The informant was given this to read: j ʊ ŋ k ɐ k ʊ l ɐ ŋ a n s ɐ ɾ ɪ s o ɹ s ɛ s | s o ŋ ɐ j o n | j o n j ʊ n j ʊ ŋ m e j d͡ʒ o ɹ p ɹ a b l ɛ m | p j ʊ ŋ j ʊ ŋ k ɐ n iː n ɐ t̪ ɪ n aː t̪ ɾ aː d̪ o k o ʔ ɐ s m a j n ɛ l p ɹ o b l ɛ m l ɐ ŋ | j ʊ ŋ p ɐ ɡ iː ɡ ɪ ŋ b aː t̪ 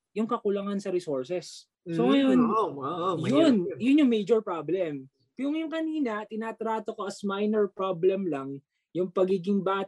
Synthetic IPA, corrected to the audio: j ʊ ŋ k ɐ k ʊ l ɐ ŋ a n s ɐ ɾ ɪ s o ɹ s ɛ s | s o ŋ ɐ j o n | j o n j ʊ n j ʊ ŋ m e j d͡ʒ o ɹ p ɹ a b l ɛ m | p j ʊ ŋ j ʊ ŋ k ɐ n iː n ɐ t̪ ɪ n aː t̪ ɾ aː t̪ o k o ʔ ɐ s m a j n ɛ ɹ p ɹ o b l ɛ m l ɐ ŋ | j ʊ ŋ p ɐ ɡ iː ɡ ɪ ŋ b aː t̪